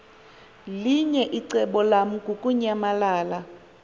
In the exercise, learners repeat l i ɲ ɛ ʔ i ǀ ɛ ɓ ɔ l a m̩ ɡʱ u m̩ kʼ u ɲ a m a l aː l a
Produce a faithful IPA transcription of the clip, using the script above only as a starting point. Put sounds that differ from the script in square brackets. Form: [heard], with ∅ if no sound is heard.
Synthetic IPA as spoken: l i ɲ ɛ ʔ i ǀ ɛ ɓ ɔ l a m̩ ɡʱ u [∅] kʼ u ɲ a m a l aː l a